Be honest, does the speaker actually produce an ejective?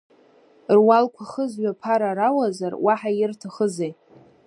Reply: no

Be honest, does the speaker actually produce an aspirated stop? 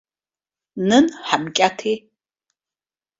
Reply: yes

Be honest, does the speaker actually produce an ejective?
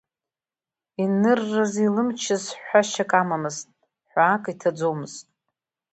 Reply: yes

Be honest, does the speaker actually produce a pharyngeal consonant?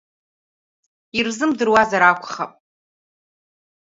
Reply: no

